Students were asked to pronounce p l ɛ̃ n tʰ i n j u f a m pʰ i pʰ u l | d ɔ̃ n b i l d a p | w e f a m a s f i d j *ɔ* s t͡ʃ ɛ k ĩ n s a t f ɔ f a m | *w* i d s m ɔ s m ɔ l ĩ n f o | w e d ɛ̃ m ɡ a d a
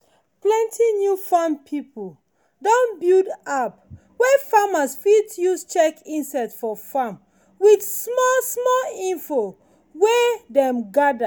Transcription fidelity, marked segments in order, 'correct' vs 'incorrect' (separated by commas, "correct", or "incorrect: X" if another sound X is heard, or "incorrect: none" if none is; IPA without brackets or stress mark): incorrect: u, correct